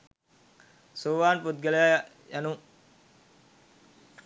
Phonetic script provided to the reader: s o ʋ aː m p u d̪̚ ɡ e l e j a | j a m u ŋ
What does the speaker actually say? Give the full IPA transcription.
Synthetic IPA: s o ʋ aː n p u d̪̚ ɡ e l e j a | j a n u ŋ